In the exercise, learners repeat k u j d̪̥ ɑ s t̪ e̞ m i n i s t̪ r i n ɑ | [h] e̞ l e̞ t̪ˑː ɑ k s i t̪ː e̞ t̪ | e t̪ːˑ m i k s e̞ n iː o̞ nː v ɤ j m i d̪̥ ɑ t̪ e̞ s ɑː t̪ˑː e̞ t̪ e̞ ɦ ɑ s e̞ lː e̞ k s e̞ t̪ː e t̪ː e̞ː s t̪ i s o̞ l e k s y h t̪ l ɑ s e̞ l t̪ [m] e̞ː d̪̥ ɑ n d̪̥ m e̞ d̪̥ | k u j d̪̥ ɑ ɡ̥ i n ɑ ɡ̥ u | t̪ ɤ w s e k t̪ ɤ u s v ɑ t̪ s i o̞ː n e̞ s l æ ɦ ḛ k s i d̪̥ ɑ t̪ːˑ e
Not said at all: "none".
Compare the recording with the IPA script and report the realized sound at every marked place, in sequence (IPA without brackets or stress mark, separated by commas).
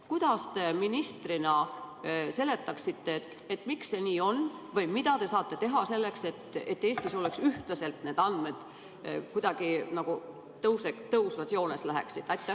s, n